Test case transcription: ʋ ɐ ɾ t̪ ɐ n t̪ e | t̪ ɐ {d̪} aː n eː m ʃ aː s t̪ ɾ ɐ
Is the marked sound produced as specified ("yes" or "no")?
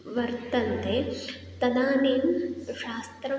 yes